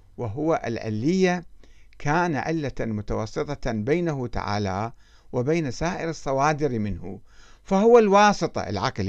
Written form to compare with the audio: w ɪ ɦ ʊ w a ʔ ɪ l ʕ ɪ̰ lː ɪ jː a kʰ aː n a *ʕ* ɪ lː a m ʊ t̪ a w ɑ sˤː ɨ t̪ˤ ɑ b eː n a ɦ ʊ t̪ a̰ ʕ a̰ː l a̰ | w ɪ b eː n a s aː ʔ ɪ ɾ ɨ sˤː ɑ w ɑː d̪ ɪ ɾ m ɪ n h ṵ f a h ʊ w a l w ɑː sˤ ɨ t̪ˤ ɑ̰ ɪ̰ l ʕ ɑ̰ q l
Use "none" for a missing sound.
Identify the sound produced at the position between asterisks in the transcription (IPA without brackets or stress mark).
ʕ